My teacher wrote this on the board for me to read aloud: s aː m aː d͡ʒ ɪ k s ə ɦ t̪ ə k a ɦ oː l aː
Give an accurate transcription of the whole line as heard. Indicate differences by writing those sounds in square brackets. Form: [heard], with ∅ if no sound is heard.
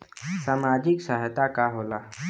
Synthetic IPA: s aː m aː d͡ʒ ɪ k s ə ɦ t̪ [a] k a ɦ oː l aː